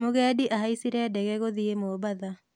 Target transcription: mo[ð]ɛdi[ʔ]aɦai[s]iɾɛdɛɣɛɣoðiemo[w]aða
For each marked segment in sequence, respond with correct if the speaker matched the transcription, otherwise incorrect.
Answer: incorrect: ɣ, correct, correct, incorrect: b

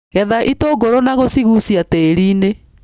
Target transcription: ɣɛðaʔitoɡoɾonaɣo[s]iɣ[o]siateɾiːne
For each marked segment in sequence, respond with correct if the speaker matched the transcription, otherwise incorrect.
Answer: correct, incorrect: u

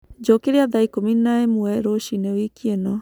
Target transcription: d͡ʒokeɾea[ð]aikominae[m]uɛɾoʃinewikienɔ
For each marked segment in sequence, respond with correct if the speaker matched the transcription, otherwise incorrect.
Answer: correct, correct

